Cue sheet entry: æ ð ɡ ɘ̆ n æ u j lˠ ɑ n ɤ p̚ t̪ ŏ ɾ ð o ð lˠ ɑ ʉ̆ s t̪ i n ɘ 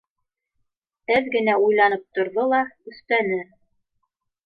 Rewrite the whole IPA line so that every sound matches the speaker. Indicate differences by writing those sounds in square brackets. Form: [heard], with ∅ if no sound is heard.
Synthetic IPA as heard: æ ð ɡ ɘ̆ n æ u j lˠ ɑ n ɤ p̚ t̪ ŏ ɾ ð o [∅] lˠ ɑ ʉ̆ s t̪ [æ] n ɘ